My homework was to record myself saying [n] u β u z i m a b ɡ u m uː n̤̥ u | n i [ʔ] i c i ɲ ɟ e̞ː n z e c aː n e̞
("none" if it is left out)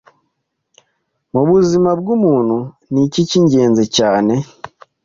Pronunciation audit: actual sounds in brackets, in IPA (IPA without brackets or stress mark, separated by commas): m, c